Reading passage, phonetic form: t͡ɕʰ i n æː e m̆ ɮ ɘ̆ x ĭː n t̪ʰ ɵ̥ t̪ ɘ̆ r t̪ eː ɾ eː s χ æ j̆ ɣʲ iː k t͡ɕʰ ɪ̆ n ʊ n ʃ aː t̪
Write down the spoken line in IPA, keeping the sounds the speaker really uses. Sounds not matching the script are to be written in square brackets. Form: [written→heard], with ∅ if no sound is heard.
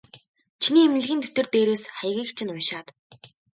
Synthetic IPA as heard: t͡ɕʰ i n [æː→iː] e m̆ ɮ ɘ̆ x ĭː n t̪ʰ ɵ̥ t̪ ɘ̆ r t̪ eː ɾ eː s χ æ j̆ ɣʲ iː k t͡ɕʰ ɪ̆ n ʊ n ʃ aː t̪